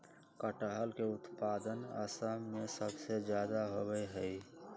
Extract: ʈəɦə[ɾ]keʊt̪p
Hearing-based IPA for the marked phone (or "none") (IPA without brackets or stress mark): l